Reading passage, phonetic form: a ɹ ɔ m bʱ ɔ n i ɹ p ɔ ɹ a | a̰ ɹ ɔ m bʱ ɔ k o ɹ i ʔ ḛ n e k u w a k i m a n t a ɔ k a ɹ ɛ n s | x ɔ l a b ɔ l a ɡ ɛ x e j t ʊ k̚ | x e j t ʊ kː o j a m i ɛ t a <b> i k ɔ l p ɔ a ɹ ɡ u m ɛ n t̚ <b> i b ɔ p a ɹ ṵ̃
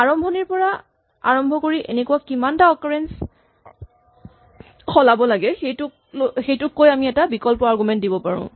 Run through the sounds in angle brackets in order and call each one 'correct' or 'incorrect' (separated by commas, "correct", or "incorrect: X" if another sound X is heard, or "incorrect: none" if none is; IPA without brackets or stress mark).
correct, incorrect: d